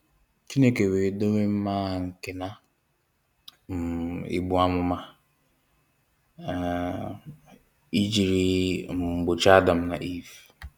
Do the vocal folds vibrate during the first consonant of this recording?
no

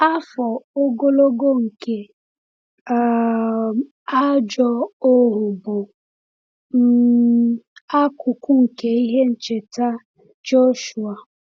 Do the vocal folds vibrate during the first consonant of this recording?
no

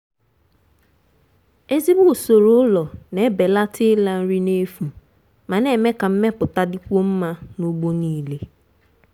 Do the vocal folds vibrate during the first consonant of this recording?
yes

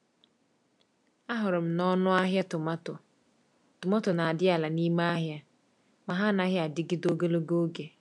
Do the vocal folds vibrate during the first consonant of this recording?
yes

